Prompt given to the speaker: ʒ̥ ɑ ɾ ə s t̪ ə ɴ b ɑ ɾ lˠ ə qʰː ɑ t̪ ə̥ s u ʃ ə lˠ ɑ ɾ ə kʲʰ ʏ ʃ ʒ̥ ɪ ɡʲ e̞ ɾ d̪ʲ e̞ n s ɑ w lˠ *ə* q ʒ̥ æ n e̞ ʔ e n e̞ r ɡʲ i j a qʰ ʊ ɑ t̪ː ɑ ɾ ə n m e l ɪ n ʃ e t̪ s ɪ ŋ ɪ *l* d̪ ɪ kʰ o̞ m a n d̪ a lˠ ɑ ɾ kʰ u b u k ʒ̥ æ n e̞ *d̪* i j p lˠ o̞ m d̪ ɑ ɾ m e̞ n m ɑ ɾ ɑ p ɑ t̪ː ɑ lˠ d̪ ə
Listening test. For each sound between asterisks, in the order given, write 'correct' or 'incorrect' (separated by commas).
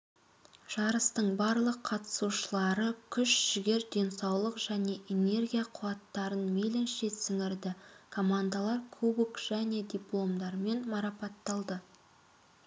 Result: correct, incorrect, correct